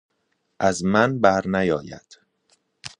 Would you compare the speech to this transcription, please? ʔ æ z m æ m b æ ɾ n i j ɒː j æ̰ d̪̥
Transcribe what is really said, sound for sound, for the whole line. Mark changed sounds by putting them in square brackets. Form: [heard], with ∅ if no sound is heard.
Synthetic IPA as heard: ʔ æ z m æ [n] b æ ɾ n [æ] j ɒː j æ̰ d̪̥